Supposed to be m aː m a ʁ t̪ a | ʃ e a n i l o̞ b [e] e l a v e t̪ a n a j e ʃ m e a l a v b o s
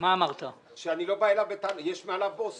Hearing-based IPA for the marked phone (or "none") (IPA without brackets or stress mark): a